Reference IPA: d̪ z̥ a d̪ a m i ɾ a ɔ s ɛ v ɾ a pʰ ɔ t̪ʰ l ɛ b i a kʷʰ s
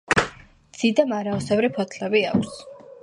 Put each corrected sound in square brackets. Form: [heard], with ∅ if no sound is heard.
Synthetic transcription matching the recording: d̪ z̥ [i] d̪ a m [a] ɾ a ɔ s ɛ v ɾ [i] pʰ ɔ t̪ʰ l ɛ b i a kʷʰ s